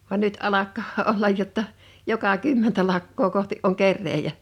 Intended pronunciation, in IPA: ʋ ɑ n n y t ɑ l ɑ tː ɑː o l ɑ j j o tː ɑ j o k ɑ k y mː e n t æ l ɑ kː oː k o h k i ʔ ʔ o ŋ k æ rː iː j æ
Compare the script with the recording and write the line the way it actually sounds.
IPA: ʋ ɑ n n y t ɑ l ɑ kː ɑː o lː ɑ j j o tː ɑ j o k ɑ k y mː e n t æ l ɑ kː oː k o h t i ʔ ʔ o ŋ k e rː eː j æ

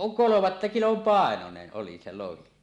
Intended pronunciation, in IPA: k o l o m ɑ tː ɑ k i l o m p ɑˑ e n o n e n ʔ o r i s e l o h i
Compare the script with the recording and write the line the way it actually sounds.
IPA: k o l o m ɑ tː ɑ k i l o m p ɑˑ e n o n e n ʔ o l i s e l o h i

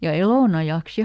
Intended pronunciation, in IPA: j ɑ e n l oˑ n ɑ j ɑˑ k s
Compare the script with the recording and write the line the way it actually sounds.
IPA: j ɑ e l oˑ n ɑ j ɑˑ k s

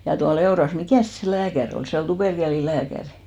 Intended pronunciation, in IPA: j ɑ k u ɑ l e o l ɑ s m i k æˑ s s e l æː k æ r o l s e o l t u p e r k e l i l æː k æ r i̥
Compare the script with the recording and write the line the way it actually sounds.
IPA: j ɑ t u ɑ l e o r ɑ s m i k æˑ s s e l æː k æ r o l s e o l t u p e r k e l i l æː k æ r i̥

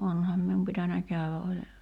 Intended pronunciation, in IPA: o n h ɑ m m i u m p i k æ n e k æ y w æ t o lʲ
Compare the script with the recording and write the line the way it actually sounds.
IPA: o n h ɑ m m i u m p i t æ n æ k æ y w æ ʔ o lʲ

